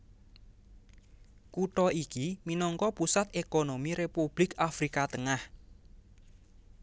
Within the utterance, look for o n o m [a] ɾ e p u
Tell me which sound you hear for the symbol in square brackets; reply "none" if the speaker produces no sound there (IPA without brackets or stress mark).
i